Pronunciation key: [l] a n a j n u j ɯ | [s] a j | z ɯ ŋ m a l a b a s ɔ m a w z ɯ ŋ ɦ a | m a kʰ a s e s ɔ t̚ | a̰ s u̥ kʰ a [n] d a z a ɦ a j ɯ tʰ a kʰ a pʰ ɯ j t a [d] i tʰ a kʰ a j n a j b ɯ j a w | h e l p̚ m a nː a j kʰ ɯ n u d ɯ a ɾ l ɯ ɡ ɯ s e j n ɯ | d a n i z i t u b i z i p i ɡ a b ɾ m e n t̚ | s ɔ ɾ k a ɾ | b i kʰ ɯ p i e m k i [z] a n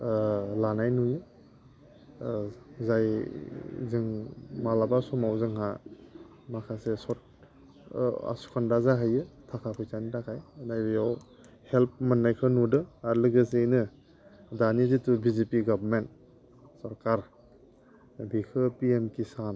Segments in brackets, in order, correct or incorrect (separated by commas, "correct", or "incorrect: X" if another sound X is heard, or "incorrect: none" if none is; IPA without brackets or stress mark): correct, incorrect: z, correct, incorrect: n, incorrect: s